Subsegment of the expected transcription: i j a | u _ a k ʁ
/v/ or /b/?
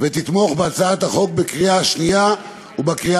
b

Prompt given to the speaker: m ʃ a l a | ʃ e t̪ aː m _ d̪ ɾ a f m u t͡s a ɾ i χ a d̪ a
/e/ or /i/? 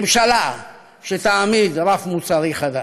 i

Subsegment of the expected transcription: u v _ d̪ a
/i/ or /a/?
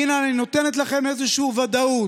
a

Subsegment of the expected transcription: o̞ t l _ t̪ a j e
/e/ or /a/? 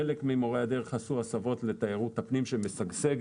e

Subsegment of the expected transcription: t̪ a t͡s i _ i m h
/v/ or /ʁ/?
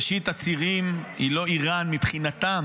ʁ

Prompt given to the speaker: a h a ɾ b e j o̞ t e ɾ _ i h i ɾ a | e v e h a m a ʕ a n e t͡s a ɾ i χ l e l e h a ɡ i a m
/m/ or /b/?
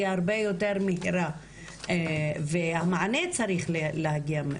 m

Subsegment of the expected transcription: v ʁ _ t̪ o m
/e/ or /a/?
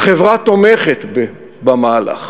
a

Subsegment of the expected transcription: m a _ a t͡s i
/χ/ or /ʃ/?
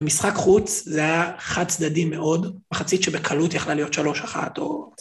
χ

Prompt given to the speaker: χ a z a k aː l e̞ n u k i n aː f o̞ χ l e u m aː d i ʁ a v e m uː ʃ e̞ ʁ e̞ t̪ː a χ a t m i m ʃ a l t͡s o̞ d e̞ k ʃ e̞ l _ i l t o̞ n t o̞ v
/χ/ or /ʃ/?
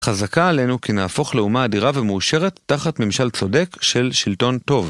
ʃ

